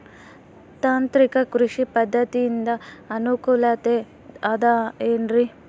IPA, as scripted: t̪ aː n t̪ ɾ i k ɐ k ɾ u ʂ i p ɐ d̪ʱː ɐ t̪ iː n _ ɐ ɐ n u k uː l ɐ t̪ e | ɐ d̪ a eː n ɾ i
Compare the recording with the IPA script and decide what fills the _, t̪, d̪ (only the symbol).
d̪